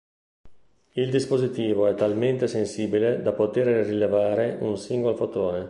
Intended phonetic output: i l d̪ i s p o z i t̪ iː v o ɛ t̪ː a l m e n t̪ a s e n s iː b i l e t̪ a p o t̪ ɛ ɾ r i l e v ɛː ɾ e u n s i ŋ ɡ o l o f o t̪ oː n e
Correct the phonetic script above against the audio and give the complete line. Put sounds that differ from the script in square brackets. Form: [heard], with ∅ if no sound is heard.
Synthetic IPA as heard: i l d̪ i s p o z i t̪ iː v o ɛ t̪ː a l m e n t̪ [e] s e n s iː b i l e [d̪] a p o t̪ [e] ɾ r i l e v [aː] ɾ e u n s i ŋ ɡ o l o f o t̪ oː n e